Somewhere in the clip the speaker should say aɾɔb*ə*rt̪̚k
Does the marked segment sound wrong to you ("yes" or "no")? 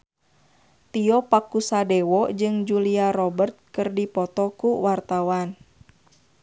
no